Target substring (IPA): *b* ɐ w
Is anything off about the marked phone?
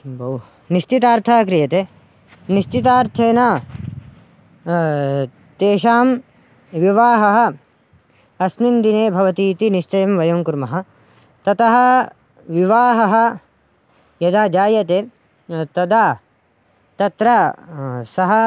no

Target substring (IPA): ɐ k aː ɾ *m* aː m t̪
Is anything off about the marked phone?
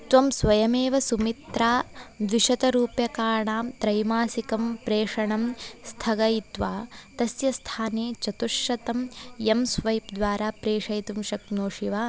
yes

